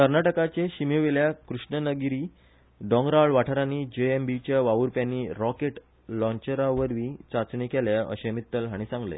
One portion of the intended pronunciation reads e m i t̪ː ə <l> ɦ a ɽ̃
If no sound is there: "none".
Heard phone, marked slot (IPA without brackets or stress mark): l